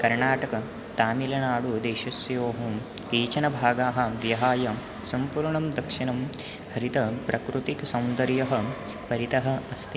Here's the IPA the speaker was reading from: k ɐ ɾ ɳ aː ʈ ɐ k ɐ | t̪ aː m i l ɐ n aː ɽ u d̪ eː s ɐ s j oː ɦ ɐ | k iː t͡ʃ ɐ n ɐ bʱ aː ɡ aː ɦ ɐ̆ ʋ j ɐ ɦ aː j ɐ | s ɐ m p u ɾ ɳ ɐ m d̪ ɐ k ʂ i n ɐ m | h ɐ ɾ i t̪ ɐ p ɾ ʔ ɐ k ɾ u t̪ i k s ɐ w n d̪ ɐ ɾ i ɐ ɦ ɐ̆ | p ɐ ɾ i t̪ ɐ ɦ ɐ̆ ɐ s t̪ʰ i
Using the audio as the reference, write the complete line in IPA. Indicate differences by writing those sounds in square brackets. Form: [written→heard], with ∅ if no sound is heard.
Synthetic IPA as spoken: k ɐ ɾ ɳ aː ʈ ɐ k ɐ | t̪ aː m i l ɐ n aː ɽ u d̪ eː [s→ʃ] ɐ s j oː ɦ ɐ | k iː t͡ʃ ɐ n ɐ bʱ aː ɡ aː ɦ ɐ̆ ʋ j ɐ ɦ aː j ɐ | s ɐ m p [u→uː] ɾ ɳ ɐ m d̪ ɐ k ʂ i n ɐ m | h ɐ ɾ i t̪ ɐ p ɾ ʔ ɐ k ɾ u t̪ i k s ɐ w n d̪ ɐ ɾ [i→j] ɐ ɦ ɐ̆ | p ɐ ɾ i t̪ ɐ ɦ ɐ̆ ɐ s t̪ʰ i